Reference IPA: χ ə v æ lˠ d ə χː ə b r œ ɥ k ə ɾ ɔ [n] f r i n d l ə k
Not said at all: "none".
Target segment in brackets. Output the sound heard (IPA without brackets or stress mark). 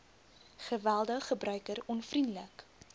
n